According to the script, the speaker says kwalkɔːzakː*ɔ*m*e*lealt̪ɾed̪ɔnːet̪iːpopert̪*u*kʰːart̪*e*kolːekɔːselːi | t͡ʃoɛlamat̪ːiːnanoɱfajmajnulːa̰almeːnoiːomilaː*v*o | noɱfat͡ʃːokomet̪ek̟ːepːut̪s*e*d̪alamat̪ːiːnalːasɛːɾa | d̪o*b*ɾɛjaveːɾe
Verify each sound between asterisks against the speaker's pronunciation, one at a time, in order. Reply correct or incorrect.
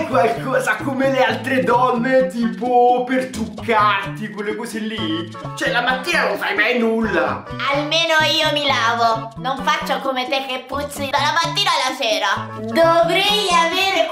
incorrect, correct, correct, incorrect, correct, incorrect, incorrect

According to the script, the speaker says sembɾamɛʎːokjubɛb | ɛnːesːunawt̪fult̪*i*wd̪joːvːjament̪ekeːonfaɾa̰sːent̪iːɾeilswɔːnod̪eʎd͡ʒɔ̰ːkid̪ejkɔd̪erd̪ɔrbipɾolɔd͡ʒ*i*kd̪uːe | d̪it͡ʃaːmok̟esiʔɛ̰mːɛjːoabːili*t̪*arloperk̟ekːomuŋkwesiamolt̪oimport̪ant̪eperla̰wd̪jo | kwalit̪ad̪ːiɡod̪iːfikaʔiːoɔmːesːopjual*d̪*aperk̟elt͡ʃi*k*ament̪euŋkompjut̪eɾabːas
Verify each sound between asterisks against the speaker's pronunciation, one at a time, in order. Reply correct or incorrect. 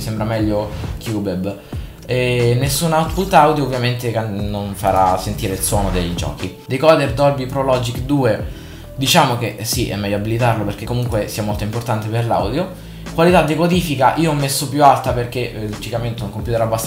incorrect, correct, correct, incorrect, correct

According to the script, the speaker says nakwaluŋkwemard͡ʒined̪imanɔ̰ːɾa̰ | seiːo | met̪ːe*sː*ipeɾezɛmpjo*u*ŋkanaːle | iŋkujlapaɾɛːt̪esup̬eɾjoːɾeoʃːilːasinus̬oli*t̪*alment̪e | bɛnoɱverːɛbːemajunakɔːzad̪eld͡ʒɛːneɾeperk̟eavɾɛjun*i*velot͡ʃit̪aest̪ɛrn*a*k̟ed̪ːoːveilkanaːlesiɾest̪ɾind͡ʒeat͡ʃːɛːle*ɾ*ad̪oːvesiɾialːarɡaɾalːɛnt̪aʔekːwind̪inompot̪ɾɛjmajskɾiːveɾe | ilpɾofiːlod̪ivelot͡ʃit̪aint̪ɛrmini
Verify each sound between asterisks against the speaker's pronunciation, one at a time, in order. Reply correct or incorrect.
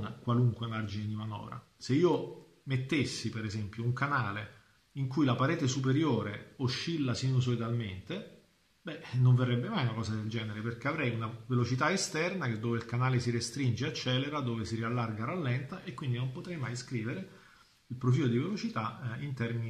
correct, correct, incorrect, incorrect, correct, correct

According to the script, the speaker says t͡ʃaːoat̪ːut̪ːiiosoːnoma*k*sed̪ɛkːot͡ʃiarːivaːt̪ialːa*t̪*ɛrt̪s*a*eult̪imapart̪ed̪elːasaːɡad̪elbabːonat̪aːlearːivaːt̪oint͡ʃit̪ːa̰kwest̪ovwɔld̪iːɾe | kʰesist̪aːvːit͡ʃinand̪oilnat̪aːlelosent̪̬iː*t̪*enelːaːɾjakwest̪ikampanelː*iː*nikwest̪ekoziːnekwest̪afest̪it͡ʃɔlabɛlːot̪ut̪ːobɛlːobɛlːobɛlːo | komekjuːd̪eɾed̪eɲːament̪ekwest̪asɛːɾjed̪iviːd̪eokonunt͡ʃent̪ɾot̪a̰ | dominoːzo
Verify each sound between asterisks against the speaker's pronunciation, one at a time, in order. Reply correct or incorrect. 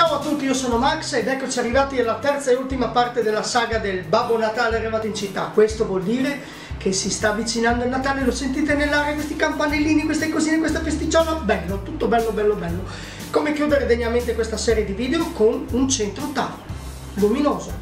correct, correct, correct, correct, correct

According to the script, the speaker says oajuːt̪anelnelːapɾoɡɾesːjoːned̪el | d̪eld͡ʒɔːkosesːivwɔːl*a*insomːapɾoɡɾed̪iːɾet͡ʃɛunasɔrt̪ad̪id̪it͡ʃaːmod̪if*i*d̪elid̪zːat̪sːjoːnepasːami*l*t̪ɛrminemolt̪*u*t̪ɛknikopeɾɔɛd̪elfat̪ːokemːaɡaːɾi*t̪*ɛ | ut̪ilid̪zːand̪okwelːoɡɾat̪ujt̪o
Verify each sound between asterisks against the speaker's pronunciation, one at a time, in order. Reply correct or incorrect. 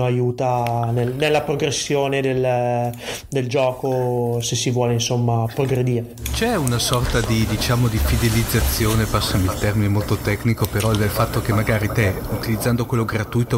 incorrect, correct, correct, incorrect, correct

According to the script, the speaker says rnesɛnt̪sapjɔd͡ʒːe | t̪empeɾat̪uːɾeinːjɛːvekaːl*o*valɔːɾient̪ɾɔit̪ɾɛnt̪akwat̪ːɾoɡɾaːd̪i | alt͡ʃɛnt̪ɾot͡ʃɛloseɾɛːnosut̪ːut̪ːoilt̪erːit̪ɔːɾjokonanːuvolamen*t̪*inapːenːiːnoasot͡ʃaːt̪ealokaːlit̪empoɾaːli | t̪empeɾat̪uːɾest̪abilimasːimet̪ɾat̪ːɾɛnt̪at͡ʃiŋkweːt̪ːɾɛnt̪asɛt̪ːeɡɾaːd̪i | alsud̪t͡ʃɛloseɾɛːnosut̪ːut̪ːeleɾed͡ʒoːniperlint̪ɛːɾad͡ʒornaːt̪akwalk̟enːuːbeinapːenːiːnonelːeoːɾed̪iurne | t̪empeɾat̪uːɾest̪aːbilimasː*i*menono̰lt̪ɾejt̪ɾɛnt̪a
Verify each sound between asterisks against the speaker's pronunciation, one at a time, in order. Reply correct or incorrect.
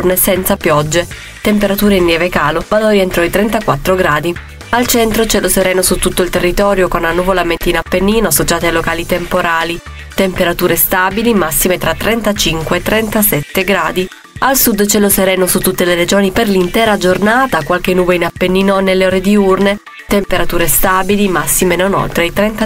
correct, correct, correct

